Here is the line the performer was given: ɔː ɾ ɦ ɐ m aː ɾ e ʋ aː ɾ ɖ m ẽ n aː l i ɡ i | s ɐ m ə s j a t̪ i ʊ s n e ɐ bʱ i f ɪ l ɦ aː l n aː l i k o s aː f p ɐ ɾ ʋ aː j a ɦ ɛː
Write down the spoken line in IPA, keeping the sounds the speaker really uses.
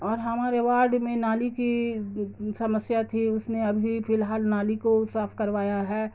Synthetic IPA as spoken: ɔː ɾ ɦ ɐ m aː ɾ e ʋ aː ɾ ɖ m ẽ n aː l i k i | s ɐ m ə s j a t̪ʰ i ʊ s n e ɐ bʱ i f ɪ l ɦ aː l n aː l i k o s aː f k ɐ ɾ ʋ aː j a ɦ ɛː